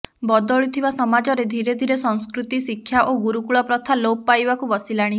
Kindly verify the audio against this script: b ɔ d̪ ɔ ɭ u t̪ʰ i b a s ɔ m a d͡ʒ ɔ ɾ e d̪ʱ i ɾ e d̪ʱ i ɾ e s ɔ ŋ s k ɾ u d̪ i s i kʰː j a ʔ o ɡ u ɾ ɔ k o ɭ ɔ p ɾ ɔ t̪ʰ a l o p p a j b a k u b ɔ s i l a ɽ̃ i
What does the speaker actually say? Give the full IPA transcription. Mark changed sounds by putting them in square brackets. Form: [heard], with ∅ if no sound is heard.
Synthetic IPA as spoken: b ɔ d̪ ɔ ɭ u t̪ʰ i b a s ɔ m a d͡ʒ ɔ ɾ e d̪ʱ i ɾ e d̪ʱ i ɾ e s ɔ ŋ s k ɾ u [t̪] i s i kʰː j a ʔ o ɡ u ɾ [u] k [u] ɭ ɔ p ɾ ɔ t̪ʰ a l o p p a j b a k u b ɔ s i l a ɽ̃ i

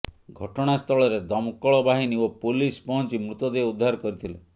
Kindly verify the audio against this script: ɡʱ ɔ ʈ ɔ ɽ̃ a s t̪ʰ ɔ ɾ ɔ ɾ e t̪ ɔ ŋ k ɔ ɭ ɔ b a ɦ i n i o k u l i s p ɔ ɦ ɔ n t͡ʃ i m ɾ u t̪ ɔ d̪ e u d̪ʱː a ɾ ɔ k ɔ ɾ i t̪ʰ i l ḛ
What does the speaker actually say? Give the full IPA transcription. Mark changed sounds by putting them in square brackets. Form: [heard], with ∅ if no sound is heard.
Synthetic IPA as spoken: ɡʱ ɔ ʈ ɔ ɽ̃ a s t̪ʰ ɔ [ɭ] ɔ ɾ e [d̪] ɔ [m] k ɔ ɭ ɔ b a ɦ i n i o [p] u l i s p ɔ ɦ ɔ n t͡ʃ i m ɾ u t̪ ɔ d̪ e u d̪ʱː a ɾ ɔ k ɔ ɾ i t̪ʰ i l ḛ

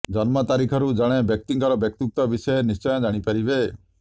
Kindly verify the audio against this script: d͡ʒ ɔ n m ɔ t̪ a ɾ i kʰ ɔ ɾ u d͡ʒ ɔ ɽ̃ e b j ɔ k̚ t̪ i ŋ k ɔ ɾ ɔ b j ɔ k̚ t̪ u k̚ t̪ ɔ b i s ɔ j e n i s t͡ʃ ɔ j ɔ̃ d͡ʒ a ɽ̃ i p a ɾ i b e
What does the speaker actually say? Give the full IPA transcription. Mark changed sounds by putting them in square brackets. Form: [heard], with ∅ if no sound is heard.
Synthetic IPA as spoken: d͡ʒ ɔ n m ɔ t̪ a ɾ i kʰ ɔ ɾ u d͡ʒ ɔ ɽ̃ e b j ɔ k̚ t̪ i ŋ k ɔ ɾ ɔ b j ɔ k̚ t̪ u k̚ t̪ ɔ b i s ɔ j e n i s t͡ʃ ɔ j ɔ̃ d͡ʒ a ɽ̃ i p a ɾ i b e

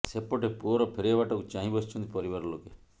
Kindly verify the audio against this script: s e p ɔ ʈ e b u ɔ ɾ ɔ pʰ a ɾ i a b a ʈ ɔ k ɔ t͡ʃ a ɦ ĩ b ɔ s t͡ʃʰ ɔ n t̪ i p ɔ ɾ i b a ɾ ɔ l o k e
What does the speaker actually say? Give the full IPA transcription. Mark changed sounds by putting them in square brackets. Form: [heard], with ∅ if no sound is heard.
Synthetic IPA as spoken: s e p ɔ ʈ e [p] u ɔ ɾ ɔ pʰ [e] ɾ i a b a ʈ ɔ k [u] t͡ʃ a ɦ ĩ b ɔ s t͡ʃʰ ɔ n t̪ i p ɔ ɾ i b a ɾ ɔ l o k e

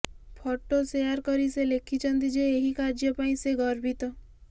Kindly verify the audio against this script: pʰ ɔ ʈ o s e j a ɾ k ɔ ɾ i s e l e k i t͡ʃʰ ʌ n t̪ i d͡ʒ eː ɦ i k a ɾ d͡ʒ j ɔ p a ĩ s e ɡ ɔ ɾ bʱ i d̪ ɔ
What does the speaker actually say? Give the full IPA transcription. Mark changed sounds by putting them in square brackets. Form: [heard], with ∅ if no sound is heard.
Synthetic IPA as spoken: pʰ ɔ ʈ o s e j a ɾ k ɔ ɾ i s e l e [kʰ] i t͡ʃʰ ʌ n t̪ i d͡ʒ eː ɦ i k a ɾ d͡ʒ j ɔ p a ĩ s e ɡ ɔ ɾ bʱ i [t̪] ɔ

